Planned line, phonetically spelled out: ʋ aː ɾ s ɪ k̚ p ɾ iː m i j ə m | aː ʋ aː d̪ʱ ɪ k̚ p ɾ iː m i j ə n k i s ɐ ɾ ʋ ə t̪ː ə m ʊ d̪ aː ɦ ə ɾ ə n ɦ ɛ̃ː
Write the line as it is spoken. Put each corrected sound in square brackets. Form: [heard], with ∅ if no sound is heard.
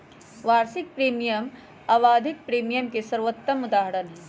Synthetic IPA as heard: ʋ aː ɾ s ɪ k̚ p ɾ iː m i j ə m | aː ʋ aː d̪ʱ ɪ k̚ p ɾ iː m i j ə [m] k [e] s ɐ ɾ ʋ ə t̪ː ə m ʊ d̪ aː ɦ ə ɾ ə n ɦ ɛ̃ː